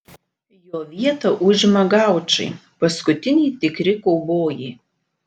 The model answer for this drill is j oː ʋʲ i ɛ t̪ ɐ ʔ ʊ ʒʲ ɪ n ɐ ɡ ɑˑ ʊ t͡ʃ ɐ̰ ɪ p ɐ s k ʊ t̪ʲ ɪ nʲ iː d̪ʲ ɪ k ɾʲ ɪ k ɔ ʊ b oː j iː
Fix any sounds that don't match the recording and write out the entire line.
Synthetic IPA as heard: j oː ʋʲ i ɛ t̪ ɐ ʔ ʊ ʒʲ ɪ m ɐ ɡ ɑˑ ʊ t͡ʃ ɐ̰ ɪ p ɐ s k ʊ t̪ʲ ɪ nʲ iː t̪ʲ ɪ k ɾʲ ɪ k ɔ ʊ b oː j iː